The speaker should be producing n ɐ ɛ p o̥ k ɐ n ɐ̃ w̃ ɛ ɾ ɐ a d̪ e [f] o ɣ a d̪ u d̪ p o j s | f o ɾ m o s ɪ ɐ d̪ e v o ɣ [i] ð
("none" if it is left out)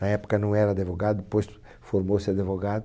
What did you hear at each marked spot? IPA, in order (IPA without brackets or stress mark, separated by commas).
v, a